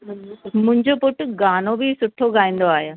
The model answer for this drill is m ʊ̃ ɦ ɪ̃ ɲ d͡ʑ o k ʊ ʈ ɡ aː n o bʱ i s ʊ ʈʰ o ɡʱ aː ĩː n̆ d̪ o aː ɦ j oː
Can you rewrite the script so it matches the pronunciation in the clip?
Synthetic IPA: m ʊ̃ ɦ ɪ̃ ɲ d͡ʑ o p ʊ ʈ ɡ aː n o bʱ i s ʊ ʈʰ o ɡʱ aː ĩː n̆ d̪ o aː ɦ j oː